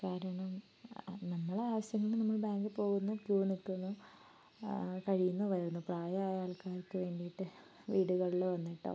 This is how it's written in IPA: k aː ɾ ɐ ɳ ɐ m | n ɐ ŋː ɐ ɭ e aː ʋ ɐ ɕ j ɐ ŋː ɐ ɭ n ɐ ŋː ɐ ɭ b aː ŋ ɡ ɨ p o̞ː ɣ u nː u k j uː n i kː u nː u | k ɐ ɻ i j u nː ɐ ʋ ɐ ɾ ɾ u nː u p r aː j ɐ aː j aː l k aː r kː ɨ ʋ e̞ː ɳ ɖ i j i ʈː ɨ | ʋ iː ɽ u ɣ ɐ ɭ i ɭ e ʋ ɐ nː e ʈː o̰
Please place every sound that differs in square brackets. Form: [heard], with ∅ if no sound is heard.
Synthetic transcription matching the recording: k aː ɾ ɐ ɳ ɐ m | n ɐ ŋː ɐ ɭ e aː ʋ ɐ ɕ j ɐ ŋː ɐ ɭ n ɐ [mː] ɐ ɭ b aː ŋ ɡ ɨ p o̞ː ɣ u nː u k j uː n i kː u nː u | k ɐ ɻ i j u nː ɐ ʋ ɐ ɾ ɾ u nː u p r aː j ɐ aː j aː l k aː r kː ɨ ʋ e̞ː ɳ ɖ i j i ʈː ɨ | ʋ iː ɽ u ɣ ɐ ɭ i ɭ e ʋ ɐ nː [i] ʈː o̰